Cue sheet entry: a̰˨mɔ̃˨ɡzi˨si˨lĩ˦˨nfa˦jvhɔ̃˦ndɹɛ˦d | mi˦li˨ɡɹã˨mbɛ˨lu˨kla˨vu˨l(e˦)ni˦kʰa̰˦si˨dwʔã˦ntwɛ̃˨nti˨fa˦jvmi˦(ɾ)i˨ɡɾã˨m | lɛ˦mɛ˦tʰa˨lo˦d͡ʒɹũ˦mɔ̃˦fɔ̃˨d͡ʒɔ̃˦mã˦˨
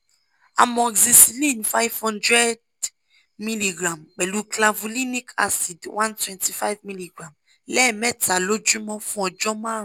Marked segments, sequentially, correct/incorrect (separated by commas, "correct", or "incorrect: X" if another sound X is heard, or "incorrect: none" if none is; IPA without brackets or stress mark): incorrect: i˦, incorrect: l